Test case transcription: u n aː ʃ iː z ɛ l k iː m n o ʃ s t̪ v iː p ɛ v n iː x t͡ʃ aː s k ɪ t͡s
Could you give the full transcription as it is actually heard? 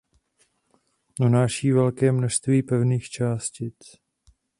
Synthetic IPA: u n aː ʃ iː v ɛ l k ɛː m n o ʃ s t̪ v iː p ɛ v n iː x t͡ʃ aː s c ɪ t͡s